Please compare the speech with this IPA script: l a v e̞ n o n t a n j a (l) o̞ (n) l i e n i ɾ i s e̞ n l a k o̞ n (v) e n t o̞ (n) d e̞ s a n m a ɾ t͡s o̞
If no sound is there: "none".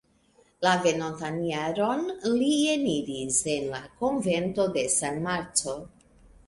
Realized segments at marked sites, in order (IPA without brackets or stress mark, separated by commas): ɾ, n, v, none